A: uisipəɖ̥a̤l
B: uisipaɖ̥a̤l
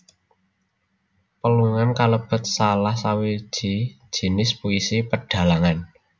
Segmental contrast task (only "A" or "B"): A